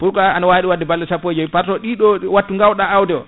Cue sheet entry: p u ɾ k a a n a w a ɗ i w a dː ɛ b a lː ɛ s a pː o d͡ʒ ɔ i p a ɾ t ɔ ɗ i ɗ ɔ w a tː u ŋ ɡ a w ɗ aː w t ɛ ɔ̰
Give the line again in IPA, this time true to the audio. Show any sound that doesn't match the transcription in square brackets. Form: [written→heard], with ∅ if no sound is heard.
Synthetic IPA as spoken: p u ɾ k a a n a w a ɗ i w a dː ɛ b a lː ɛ s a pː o d͡ʒ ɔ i p a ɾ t ɔ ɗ i ɗ ɔ w a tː u ŋ ɡ a w ɗ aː w [t→d] ɛ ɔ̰